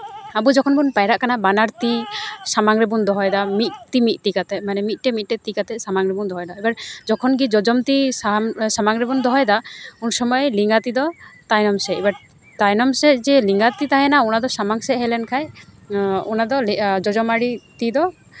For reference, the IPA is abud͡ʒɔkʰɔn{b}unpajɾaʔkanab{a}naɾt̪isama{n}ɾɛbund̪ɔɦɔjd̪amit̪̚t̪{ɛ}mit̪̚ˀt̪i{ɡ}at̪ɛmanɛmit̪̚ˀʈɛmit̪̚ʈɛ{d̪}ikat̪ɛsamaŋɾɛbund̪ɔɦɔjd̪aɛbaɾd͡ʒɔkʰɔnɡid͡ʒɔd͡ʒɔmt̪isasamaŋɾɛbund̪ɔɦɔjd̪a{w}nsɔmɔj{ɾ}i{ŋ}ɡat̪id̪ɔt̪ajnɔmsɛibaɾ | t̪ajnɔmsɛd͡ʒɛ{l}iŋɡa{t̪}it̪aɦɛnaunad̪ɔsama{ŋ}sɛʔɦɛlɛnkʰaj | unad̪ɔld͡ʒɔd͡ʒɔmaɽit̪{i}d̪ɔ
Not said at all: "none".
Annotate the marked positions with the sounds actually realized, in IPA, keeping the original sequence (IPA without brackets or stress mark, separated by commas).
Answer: b, a, ŋ, i, k, t̪, u, l, ŋ, l, t̪, ŋ, i